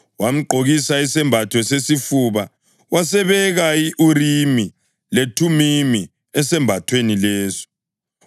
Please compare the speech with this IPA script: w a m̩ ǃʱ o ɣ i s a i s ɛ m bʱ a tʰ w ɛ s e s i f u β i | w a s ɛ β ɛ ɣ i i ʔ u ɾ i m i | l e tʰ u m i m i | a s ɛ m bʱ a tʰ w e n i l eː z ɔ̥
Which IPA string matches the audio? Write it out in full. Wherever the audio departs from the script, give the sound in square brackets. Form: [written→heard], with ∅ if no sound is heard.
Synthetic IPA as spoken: w a m̩ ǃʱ o ɣ i s a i s ɛ m bʱ a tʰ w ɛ s e s i f u β [i→a] | w a s ɛ β ɛ ɣ [i→a] i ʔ u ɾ i m i | l e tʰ u m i m i | [a→ɛ] s ɛ m bʱ a tʰ w e n i l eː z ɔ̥